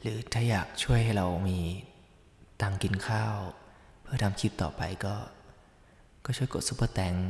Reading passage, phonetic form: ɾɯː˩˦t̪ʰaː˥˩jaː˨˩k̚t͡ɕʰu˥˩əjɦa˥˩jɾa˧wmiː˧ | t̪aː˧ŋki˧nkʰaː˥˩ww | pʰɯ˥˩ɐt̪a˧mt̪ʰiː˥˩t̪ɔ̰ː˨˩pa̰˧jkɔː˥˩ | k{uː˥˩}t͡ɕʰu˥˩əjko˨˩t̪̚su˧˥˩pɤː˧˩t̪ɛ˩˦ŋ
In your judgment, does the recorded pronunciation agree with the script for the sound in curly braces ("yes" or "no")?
no